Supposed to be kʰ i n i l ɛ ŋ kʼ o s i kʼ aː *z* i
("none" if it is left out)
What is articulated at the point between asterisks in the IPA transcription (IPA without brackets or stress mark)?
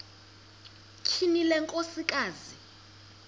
z